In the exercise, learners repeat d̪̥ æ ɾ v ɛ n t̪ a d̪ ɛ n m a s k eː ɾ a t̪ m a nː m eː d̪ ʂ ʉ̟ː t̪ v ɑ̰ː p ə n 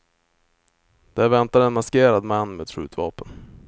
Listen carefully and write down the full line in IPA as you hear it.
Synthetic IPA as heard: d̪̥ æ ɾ v ɛ n t̪ a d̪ ɛ n m a s k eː ɾ a d̪ m a nː m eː d̪ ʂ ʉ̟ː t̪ v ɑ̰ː p ə n